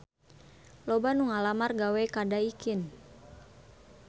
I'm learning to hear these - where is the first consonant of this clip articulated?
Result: tongue tip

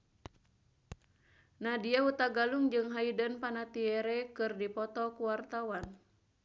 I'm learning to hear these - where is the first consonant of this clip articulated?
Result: tongue tip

